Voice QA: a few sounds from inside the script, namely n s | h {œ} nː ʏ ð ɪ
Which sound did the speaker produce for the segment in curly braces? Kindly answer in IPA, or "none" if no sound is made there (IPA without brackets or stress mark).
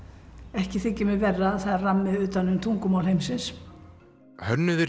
œ